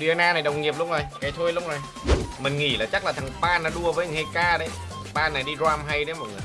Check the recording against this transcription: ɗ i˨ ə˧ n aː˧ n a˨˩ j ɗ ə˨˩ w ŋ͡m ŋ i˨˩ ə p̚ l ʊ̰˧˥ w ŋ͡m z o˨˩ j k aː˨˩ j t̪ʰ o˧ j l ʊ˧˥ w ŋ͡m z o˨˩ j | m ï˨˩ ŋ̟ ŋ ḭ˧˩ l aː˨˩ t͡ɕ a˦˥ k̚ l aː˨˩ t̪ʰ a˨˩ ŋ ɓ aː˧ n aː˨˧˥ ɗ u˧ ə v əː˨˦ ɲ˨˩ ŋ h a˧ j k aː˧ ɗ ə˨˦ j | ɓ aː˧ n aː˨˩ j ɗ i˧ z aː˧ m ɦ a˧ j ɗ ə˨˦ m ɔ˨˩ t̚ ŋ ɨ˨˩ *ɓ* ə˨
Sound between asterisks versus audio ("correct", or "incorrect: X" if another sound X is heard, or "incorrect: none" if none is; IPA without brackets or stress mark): incorrect: none